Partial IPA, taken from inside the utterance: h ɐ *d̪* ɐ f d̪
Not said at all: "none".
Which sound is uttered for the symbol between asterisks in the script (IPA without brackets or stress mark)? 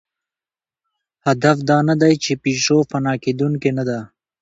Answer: d̪